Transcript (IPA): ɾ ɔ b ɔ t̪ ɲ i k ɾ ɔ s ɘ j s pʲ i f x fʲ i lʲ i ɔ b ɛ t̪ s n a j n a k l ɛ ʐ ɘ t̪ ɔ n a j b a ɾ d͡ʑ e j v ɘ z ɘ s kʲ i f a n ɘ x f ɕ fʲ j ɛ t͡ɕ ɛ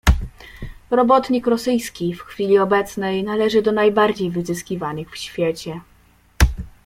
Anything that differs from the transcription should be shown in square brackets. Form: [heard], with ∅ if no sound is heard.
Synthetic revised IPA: ɾ ɔ b ɔ t̪ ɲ i k ɾ ɔ s ɘ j s [kʲ] i f x fʲ i lʲ i ɔ b ɛ t̪ s n [ɛ] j n a [∅] l ɛ ʐ ɘ [d̪] ɔ n a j b a ɾ d͡ʑ e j v ɘ z ɘ s kʲ i [v] a n ɘ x f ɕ fʲ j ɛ t͡ɕ ɛ